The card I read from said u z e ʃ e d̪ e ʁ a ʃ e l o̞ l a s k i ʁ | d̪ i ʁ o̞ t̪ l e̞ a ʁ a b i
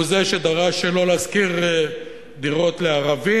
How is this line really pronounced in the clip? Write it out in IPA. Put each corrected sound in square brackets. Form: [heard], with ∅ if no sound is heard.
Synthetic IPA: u z e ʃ e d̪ [a] ʁ a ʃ e l o̞ l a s k i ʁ | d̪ i ʁ o̞ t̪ l e̞ a ʁ a [v] i